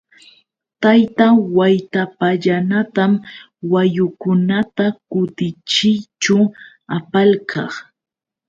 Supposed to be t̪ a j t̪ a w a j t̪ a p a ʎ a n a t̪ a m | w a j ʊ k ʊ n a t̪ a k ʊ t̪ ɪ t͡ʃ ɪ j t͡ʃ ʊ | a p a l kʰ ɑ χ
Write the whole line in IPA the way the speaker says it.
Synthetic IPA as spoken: t̪ a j t̪ a w a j t̪ a p a ʎ a n a t̪ a m | w a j ʊ k ʊ n a t̪ a k ʊ t̪ ɪ t͡ʃ ɪ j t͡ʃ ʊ | a p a l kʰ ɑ χ